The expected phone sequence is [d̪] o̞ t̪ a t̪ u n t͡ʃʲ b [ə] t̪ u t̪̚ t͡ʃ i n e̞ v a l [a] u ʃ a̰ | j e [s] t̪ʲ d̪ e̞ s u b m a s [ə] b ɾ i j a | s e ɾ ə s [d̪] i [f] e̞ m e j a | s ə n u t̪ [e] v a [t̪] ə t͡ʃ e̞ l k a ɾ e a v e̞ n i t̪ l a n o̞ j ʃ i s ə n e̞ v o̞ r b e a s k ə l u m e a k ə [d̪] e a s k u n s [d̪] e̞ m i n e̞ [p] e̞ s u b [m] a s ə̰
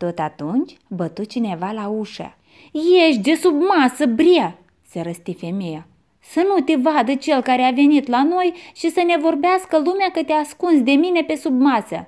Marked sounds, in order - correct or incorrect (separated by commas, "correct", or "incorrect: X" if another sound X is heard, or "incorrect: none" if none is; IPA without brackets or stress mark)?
incorrect: t̪, correct, correct, incorrect: ʃ, correct, incorrect: t̪, correct, correct, incorrect: d̪, incorrect: t̪, correct, correct, correct